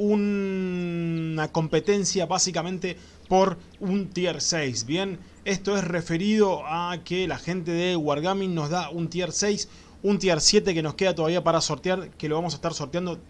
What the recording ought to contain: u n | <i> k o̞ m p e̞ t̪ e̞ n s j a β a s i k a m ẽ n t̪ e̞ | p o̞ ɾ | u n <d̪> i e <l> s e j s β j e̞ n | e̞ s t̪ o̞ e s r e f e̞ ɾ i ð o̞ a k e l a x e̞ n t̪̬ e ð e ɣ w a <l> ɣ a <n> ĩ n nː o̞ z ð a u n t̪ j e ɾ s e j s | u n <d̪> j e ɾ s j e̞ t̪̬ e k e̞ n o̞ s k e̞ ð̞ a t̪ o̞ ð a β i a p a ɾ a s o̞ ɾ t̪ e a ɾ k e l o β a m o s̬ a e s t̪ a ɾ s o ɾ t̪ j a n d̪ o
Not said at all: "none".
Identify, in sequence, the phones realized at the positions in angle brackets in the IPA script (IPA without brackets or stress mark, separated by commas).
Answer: a, t̪, ɾ, ɾ, m, t̪